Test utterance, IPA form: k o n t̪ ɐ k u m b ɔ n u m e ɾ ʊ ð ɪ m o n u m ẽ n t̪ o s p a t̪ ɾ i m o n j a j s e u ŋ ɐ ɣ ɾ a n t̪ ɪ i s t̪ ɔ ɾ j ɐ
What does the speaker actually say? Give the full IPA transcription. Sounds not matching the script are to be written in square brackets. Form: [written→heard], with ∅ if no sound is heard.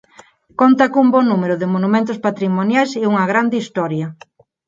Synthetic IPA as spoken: k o n t̪ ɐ k u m b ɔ n u m e ɾ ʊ ð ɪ m o n u m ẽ n t̪ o s p a t̪ ɾ i m o n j a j s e u ŋ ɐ ɣ ɾ a n [t̪→d̪] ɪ i s t̪ ɔ ɾ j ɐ